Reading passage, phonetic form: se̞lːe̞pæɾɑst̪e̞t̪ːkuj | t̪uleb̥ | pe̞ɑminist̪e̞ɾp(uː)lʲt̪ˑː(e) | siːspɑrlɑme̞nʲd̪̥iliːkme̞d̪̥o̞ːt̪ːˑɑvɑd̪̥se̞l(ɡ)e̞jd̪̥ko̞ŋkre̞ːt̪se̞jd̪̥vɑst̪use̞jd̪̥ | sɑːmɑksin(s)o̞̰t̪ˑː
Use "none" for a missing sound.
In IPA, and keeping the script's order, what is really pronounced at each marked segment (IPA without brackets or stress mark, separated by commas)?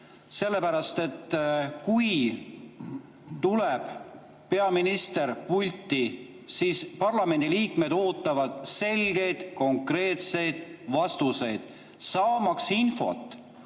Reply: u, i, ɡ, f